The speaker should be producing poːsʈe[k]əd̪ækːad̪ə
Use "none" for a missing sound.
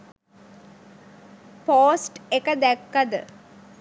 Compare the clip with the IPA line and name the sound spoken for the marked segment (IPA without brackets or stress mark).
k